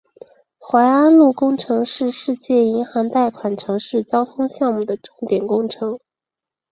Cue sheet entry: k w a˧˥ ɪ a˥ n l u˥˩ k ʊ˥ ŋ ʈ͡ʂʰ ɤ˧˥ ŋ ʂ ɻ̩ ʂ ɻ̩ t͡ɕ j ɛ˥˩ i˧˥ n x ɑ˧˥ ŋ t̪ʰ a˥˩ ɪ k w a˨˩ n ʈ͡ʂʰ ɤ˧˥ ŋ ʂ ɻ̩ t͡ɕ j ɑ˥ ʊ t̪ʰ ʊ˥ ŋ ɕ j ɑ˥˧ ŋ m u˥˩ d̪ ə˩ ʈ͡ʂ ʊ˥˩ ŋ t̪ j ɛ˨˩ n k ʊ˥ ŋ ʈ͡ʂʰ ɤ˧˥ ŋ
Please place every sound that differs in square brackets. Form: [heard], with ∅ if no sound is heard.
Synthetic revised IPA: [x] w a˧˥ ɪ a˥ n l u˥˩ k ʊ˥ ŋ ʈ͡ʂʰ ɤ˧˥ ŋ ʂ ɻ̩ ʂ ɻ̩ t͡ɕ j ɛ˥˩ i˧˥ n x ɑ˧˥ ŋ [t̪] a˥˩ ɪ [kʰ] w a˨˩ n ʈ͡ʂʰ ɤ˧˥ ŋ ʂ ɻ̩ t͡ɕ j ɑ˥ ʊ t̪ʰ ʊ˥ ŋ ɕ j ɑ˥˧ ŋ m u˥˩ d̪ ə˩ ʈ͡ʂ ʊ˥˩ ŋ t̪ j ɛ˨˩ n k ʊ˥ ŋ ʈ͡ʂʰ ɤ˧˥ ŋ